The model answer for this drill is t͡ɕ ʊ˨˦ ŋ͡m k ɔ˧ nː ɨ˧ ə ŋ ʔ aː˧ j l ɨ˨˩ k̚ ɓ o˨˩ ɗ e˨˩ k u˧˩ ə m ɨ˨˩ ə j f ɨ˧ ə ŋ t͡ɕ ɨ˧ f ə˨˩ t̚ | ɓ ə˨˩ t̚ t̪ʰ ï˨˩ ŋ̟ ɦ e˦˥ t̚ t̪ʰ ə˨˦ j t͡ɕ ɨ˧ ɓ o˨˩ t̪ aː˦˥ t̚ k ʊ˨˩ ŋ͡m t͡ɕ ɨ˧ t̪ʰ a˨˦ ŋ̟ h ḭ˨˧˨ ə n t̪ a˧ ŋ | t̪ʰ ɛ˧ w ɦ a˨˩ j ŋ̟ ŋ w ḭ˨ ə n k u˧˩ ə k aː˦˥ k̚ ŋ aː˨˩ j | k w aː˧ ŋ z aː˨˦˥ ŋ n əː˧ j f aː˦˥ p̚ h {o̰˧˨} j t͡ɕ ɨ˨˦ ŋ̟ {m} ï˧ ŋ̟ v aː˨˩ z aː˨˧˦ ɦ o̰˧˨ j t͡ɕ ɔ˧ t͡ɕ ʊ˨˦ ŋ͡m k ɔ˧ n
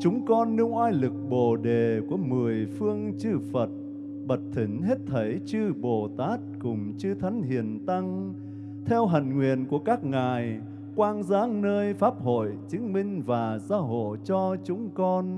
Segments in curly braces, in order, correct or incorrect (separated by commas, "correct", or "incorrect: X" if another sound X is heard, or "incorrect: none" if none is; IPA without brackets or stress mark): correct, correct